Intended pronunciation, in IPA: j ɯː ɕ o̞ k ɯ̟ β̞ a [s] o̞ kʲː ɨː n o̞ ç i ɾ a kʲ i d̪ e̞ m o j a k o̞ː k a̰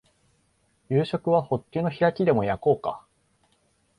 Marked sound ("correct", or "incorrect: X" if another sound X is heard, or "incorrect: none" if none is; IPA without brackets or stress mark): incorrect: h